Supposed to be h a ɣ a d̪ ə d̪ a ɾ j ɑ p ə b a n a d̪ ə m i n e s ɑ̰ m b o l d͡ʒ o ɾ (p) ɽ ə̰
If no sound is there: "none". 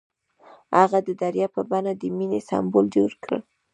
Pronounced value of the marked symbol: k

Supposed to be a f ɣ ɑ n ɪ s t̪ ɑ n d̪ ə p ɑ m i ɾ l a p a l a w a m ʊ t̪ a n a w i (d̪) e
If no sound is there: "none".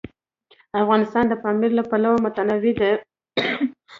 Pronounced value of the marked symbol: d̪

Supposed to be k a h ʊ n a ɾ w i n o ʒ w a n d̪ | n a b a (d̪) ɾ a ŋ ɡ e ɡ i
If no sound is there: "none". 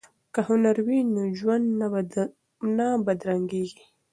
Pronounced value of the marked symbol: d̪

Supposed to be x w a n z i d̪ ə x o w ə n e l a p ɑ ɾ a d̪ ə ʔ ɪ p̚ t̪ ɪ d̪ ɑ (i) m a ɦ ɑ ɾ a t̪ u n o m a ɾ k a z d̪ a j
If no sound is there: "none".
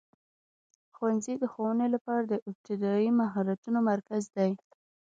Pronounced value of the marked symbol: i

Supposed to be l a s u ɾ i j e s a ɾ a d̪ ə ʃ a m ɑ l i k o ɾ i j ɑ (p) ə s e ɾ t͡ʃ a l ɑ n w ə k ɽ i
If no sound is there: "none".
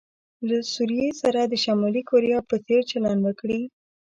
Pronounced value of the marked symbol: p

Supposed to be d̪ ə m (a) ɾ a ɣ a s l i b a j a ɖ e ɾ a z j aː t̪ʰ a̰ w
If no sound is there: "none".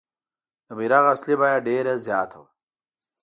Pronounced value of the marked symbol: i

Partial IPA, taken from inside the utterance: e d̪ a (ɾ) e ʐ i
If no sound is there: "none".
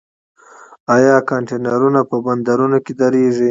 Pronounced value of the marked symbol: ɾ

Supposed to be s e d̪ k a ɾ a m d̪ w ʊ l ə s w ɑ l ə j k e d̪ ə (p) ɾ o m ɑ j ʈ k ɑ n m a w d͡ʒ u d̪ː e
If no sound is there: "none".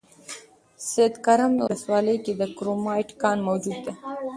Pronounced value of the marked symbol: k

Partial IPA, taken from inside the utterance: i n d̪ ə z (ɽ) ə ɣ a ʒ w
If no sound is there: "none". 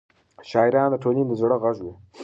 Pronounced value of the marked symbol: ɽ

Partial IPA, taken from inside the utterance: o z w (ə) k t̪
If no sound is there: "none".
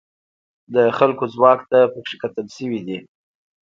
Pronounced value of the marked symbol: ɑ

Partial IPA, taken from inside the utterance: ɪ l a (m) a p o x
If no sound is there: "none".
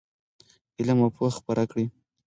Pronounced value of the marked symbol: m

